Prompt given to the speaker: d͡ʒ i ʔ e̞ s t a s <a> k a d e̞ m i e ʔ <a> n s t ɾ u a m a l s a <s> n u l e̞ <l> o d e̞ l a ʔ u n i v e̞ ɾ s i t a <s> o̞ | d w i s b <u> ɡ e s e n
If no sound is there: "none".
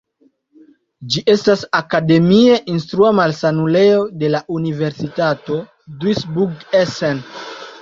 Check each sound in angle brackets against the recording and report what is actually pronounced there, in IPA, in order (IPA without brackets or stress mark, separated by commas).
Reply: a, i, none, none, t, u